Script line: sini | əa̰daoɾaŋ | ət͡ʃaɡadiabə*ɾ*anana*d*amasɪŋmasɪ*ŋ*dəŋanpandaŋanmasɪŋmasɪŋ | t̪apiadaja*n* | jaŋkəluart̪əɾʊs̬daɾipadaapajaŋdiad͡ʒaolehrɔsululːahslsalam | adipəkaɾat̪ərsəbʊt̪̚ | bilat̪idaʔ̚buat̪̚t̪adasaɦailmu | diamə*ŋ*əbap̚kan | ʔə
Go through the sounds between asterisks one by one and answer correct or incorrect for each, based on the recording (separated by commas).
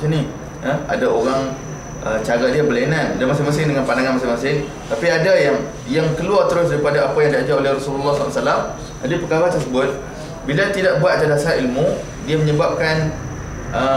incorrect, correct, correct, incorrect, incorrect